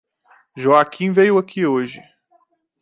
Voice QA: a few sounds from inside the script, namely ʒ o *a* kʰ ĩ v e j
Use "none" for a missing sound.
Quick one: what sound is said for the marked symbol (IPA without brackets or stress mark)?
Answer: a